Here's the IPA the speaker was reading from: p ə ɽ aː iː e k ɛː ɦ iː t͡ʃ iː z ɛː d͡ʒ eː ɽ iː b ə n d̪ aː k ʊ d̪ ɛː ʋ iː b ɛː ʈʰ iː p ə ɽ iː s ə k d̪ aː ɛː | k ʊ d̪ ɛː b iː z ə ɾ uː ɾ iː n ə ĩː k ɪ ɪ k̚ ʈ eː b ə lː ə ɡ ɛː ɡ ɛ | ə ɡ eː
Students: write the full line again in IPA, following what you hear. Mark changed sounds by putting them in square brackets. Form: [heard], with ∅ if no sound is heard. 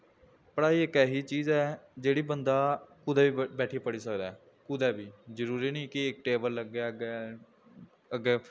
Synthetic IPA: p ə ɽ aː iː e k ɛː ɦ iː t͡ʃ iː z ɛː d͡ʒ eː ɽ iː b ə n d̪ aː k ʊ d̪ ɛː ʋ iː b ɛː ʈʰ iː p ə ɽ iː s ə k d̪ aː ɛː | k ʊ d̪ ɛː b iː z ə ɾ uː ɾ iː n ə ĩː k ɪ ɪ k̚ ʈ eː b ə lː ə ɡ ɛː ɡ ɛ | ə ɡ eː